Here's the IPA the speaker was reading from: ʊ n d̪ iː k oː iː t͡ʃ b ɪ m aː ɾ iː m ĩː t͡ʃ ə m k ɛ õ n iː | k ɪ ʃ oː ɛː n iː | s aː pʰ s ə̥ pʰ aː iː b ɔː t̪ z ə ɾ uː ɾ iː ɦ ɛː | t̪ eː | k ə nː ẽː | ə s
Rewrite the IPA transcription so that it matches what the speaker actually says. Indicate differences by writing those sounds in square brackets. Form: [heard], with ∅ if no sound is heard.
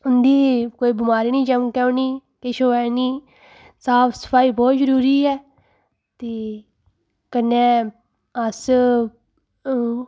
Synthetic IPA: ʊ n d̪ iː k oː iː [∅] b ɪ m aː ɾ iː [n] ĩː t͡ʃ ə m k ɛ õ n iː | k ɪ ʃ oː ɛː n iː | s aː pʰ s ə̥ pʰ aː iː b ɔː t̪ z ə ɾ uː ɾ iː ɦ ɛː | t̪ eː | k ə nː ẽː | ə s